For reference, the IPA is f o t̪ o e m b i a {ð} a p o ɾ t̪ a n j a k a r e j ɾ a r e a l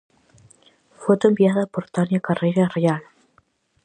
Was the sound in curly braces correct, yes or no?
yes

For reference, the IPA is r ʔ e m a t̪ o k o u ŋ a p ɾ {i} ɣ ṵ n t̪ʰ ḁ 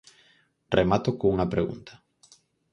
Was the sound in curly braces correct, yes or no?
no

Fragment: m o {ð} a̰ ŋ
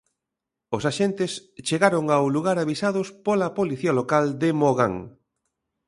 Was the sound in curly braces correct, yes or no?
no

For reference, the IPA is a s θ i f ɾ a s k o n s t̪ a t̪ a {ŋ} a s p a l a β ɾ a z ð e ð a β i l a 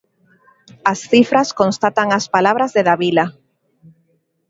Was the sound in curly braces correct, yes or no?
yes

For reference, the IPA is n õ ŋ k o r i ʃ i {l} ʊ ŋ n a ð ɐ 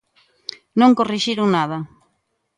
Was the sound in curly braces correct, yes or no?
no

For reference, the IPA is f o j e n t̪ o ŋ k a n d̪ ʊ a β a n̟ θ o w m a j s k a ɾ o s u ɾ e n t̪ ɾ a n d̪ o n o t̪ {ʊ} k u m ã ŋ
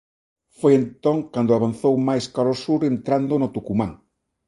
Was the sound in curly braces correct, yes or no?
no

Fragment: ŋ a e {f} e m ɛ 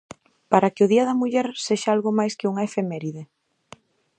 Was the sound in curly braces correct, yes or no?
yes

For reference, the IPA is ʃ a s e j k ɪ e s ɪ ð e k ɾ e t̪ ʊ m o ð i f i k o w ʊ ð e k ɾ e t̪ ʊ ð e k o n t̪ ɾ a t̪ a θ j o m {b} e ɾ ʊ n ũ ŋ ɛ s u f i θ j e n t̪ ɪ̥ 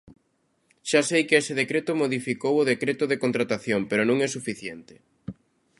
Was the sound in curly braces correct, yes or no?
no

